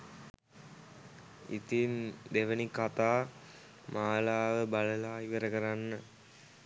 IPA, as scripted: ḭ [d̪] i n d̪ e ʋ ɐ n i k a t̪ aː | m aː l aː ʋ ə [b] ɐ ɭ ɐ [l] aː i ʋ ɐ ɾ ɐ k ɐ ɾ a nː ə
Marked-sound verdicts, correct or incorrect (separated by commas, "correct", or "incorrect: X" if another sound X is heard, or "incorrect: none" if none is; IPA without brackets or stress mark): incorrect: t̪, correct, correct